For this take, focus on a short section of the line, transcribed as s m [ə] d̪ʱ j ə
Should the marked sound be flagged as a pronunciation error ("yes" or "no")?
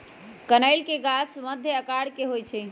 no